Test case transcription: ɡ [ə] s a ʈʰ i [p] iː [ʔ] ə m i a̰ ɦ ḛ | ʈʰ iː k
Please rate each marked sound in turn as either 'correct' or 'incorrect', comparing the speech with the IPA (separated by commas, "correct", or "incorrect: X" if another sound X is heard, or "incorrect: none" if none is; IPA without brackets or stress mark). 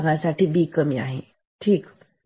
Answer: incorrect: a, incorrect: b, incorrect: k